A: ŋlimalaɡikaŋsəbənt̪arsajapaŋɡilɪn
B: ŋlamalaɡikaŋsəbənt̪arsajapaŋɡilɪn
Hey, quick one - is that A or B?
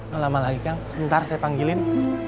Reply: B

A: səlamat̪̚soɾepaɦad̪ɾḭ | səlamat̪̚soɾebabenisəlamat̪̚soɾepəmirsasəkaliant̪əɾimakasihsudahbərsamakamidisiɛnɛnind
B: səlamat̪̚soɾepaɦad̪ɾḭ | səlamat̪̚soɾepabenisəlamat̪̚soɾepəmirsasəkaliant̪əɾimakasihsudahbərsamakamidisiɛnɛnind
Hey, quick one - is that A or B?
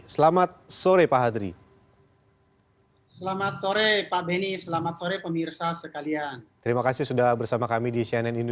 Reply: B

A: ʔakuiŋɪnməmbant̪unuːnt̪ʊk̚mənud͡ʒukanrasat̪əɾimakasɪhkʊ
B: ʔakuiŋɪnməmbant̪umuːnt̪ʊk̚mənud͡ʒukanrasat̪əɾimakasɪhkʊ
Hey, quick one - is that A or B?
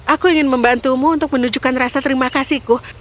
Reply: B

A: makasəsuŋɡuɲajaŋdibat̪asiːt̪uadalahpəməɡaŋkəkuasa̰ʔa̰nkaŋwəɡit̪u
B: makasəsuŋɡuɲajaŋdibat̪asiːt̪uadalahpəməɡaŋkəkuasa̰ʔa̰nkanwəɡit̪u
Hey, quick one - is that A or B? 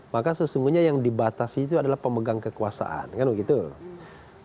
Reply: B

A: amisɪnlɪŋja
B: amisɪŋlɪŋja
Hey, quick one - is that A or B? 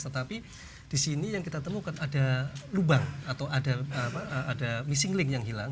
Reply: B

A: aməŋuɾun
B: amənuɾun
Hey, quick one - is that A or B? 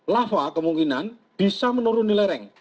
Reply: B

